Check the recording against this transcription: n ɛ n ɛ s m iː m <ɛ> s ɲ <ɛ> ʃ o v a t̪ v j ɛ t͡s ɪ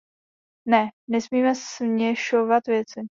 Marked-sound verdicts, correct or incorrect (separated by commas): correct, correct